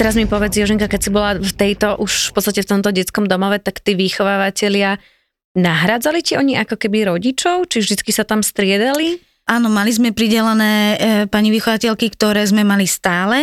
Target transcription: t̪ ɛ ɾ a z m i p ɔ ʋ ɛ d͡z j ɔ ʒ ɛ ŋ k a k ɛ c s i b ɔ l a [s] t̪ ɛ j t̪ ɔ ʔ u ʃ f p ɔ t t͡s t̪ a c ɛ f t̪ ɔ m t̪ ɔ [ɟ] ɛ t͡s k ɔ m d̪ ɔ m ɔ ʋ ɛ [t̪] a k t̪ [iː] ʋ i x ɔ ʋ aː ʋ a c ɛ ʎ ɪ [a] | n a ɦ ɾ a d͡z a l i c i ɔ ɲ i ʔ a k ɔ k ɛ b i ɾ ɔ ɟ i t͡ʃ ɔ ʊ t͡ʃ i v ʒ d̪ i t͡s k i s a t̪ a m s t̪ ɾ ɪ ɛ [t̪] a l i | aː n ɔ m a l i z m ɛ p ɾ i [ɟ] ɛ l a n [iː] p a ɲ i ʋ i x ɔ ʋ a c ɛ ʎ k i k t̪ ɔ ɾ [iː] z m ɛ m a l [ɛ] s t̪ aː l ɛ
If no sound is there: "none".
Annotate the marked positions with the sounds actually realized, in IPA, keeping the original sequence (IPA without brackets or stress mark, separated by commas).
f, ɟ, t̪, iː, a, d̪, ɟ, ɛː, ɛː, i